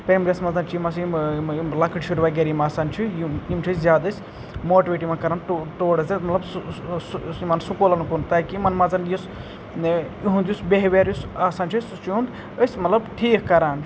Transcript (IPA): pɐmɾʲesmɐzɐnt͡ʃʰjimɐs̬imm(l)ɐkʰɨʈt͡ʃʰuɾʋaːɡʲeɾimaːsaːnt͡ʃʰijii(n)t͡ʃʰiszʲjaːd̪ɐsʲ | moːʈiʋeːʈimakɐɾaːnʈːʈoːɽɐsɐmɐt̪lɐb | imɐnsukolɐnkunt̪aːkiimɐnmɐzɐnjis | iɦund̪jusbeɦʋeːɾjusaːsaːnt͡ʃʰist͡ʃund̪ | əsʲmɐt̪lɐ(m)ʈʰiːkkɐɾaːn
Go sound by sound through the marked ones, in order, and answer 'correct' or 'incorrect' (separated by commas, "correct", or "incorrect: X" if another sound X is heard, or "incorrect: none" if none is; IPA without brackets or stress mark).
correct, incorrect: m, incorrect: b